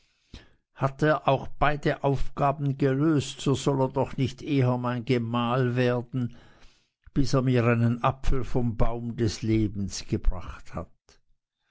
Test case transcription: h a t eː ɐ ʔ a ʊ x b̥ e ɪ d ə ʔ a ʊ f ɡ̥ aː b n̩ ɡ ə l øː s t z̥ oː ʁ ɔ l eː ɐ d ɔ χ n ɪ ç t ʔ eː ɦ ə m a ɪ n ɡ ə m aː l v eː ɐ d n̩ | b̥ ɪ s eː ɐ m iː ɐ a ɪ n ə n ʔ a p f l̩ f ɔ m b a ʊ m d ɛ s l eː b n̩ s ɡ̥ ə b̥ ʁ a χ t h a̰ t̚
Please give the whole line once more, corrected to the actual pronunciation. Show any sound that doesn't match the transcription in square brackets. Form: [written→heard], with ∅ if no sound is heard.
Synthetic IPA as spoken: h a t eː ɐ ʔ a ʊ x b̥ [e→a] ɪ d ə ʔ a ʊ f ɡ̥ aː b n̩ ɡ ə l øː s t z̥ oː [ʁ→z] ɔ l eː ɐ d ɔ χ n ɪ ç t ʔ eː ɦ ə m a ɪ n ɡ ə m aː l v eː ɐ d n̩ | b̥ ɪ s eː ɐ m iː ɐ a ɪ n ə n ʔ a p f l̩ f ɔ m b a ʊ m d ɛ s l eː b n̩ s ɡ̥ ə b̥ ʁ a χ t h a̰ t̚

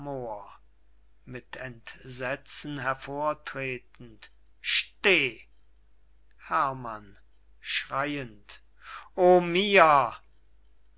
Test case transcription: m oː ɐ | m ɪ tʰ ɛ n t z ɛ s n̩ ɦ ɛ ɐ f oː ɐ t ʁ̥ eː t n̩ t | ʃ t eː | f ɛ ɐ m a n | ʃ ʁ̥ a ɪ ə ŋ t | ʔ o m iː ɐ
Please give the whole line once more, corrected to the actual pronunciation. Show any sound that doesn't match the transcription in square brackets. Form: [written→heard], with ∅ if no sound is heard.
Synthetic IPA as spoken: m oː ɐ | m ɪ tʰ ɛ n t z ɛ [s→t͡s] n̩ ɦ ɛ ɐ f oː ɐ t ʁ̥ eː t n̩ t | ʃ t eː | [f→h] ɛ ɐ m a n | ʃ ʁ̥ a ɪ ə [ŋ→n] t | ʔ o m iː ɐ

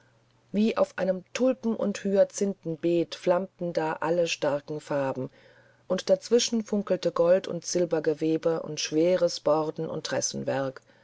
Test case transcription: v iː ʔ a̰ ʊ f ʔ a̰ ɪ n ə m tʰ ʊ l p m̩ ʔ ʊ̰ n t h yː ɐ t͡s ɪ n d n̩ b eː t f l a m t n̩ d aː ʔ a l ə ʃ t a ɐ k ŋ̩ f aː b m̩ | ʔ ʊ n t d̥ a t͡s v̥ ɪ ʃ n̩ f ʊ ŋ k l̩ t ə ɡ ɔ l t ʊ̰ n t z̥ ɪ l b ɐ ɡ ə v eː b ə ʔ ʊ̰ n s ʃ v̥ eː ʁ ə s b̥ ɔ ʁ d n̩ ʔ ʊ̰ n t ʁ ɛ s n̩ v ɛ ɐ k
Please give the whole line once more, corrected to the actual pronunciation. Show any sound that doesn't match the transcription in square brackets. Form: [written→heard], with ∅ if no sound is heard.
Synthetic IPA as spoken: v iː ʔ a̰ ʊ f ʔ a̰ ɪ n ə m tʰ ʊ l p m̩ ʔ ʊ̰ n t h yː ɐ t͡s ɪ n [d→t] n̩ b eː t f l a m t n̩ d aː ʔ a l ə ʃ t a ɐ k ŋ̩ f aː b m̩ | ʔ ʊ n t d̥ a t͡s v̥ ɪ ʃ n̩ f ʊ ŋ k l̩ t ə ɡ ɔ l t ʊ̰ n t z̥ ɪ l b ɐ ɡ ə v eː b ə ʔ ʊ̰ n [s→t] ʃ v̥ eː ʁ ə s b̥ ɔ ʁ d n̩ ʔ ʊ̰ n t ʁ ɛ s n̩ v ɛ ɐ k

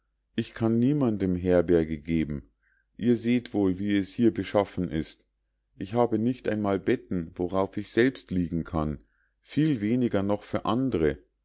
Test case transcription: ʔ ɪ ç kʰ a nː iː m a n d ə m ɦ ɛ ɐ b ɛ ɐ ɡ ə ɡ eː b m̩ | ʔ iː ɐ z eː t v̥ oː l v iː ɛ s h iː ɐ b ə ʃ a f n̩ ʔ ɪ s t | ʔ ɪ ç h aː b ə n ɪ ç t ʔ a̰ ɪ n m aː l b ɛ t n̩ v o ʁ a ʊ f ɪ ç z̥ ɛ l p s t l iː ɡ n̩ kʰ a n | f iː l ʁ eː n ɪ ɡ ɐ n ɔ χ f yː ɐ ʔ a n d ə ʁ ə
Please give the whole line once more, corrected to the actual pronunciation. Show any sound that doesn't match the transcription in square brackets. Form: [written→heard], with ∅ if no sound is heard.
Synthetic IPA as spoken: ʔ ɪ ç kʰ a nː iː m a n d ə m ɦ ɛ ɐ b ɛ ɐ ɡ ə ɡ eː b m̩ | ʔ iː ɐ z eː t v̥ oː l v iː ɛ s h iː ɐ b ə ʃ a f n̩ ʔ ɪ s t | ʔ ɪ ç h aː b ə n ɪ ç t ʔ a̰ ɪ n m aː l b ɛ t n̩ v o ʁ a ʊ f ɪ ç z̥ ɛ l p s t l iː ɡ [n̩→ŋ̩] kʰ a n | f iː l [ʁ→v] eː n ɪ ɡ ɐ n ɔ χ f yː ɐ ʔ a n d ə ʁ ə

